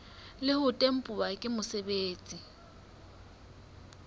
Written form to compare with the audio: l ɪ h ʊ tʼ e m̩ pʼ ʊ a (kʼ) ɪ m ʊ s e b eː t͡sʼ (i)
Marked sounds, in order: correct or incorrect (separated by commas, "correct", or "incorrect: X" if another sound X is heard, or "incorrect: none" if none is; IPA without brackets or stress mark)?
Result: correct, correct